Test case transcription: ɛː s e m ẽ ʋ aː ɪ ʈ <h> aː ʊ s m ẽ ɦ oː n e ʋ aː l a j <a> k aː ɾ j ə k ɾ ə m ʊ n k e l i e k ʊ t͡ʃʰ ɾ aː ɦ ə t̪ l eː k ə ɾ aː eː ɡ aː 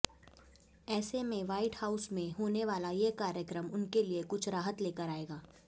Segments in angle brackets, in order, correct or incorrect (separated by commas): correct, incorrect